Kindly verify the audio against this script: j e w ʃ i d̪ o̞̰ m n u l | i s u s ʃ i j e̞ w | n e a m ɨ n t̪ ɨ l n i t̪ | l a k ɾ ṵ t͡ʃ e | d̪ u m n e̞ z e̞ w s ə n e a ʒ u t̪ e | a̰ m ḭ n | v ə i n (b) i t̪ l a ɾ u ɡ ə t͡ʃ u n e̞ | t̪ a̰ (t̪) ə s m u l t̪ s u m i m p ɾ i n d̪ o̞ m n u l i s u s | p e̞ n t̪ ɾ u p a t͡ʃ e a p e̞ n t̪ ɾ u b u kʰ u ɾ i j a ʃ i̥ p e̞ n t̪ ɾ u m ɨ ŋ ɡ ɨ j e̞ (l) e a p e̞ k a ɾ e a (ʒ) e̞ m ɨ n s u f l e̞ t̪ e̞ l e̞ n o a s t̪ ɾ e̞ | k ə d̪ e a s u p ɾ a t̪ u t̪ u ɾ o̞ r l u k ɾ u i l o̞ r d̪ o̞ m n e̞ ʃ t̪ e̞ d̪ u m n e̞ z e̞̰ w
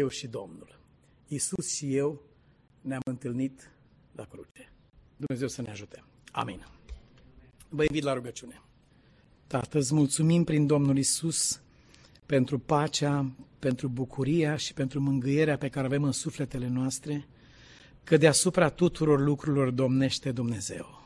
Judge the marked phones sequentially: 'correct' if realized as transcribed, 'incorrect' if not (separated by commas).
incorrect, correct, incorrect, incorrect